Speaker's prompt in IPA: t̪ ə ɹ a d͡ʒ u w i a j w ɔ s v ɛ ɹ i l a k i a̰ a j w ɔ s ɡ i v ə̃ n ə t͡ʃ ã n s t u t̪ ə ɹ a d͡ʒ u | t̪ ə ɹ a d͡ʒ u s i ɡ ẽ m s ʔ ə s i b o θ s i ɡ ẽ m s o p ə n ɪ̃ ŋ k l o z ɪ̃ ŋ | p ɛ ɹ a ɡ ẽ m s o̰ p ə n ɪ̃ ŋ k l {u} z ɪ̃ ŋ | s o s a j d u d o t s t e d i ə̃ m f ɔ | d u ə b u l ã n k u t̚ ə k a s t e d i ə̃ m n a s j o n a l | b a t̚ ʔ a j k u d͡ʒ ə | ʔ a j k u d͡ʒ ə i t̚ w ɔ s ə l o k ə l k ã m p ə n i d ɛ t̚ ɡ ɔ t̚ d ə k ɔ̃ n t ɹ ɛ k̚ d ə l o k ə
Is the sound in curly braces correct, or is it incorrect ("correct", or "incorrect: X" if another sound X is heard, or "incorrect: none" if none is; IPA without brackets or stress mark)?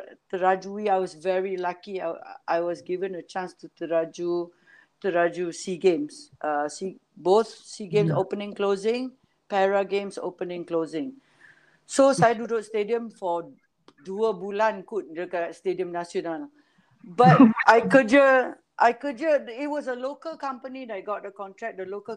incorrect: o